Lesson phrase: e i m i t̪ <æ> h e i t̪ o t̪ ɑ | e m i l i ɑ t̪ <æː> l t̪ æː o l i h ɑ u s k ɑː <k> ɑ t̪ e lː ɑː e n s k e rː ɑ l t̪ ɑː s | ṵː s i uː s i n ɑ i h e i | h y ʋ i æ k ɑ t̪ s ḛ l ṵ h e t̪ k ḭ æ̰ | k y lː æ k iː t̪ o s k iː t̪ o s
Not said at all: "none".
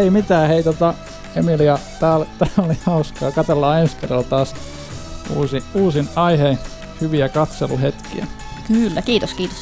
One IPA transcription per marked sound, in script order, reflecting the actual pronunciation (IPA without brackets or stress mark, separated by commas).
æː, æː, k